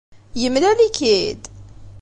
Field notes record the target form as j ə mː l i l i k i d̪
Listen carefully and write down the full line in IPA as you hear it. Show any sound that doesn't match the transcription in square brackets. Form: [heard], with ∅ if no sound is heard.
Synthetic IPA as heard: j ə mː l [æ] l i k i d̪